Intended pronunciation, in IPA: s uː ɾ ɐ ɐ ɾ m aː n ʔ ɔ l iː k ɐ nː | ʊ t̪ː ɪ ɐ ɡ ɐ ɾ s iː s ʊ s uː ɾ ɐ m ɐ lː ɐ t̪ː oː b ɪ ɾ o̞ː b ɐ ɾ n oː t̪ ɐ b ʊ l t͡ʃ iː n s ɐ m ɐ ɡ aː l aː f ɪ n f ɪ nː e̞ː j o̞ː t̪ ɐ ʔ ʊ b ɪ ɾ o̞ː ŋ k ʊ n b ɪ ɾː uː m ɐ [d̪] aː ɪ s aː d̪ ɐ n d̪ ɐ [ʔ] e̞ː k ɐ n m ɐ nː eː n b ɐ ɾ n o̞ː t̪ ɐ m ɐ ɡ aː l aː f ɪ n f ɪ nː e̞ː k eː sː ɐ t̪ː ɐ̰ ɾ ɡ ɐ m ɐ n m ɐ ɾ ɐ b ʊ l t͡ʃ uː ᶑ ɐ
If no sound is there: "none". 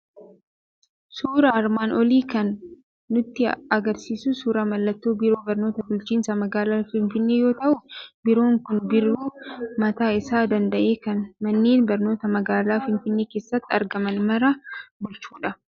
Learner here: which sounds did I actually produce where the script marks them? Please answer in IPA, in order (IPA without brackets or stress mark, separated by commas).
t̪, ʔ